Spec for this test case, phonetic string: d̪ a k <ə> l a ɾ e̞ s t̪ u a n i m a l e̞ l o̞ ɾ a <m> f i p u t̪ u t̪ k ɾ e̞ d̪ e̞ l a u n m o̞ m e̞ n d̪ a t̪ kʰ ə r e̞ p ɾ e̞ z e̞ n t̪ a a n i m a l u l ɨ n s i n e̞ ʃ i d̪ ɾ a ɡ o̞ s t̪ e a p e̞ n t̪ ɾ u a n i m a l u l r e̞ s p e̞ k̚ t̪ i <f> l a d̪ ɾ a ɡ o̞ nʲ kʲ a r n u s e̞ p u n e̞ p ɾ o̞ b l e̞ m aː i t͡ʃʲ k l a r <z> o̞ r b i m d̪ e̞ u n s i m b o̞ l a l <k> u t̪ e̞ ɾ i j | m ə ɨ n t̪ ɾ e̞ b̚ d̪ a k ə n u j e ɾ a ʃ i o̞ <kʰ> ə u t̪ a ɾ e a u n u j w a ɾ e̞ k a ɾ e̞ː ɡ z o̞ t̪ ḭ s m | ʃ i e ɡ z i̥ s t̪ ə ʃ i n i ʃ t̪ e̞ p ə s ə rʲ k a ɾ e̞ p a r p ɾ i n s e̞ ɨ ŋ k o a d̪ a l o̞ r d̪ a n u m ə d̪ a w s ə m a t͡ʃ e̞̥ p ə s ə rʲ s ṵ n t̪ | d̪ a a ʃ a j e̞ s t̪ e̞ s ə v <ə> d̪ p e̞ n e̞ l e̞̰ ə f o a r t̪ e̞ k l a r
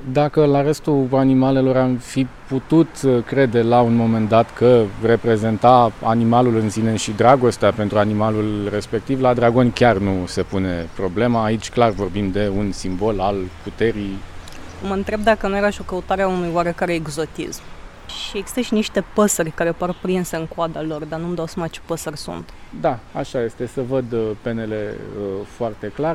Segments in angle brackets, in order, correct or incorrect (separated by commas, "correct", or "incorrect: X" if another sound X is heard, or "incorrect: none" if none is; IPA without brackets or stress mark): correct, correct, incorrect: v, incorrect: v, incorrect: p, incorrect: k, correct